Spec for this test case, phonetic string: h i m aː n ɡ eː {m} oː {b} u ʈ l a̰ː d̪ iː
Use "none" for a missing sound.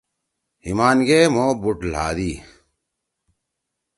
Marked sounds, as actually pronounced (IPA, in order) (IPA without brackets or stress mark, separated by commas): m, b